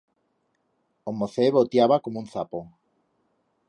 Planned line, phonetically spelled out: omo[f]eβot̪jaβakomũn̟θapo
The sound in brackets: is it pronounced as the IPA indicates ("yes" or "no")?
no